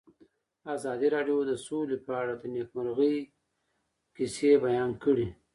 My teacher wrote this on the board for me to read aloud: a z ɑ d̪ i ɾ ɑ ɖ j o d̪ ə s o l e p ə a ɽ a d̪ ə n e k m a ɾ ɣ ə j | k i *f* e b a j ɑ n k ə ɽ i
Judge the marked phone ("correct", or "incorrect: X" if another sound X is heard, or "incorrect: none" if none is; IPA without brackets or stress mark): incorrect: s